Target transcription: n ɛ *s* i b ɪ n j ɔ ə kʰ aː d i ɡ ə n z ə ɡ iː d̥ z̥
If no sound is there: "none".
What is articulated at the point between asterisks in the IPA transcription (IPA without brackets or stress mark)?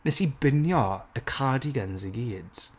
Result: s